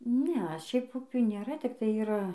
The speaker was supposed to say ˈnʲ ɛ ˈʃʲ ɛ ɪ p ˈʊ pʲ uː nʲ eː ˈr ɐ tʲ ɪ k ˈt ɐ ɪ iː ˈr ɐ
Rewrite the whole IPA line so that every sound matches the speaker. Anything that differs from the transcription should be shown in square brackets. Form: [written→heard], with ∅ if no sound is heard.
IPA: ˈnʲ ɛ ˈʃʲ ɛ ɪ p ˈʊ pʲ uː nʲ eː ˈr ɐ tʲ ɪ k ˈt ɐ ɪ iː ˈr ɐ